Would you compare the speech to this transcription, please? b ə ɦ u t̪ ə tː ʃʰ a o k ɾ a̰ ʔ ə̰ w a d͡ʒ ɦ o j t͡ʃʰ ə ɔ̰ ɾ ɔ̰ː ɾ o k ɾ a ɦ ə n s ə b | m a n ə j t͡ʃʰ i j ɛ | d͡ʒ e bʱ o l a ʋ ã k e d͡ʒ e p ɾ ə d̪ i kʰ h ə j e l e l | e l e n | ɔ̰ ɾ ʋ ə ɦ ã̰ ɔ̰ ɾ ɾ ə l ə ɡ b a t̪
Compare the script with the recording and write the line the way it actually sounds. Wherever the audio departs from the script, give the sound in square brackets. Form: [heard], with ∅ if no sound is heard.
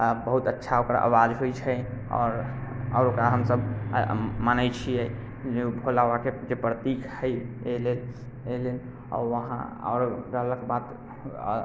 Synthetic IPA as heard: b ə ɦ u t̪ ə tː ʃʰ a o k ɾ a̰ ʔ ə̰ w a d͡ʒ ɦ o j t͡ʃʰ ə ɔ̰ ɾ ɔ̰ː ɾ o k ɾ a ɦ ə [m] s ə b | m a n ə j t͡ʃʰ i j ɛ | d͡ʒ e bʱ o l a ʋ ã k e d͡ʒ e p ɾ ə [t̪] i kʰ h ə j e l e l | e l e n | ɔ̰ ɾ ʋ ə ɦ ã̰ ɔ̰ ɾ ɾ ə l ə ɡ b a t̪